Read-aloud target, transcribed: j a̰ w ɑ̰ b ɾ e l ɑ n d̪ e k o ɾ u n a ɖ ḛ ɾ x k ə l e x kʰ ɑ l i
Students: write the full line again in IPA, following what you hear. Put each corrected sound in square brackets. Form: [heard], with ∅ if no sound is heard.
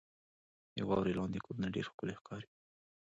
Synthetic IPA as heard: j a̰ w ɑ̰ [w] ɾ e l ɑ n d̪ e k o ɾ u n a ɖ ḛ ɾ x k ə l e x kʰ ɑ [ɾ] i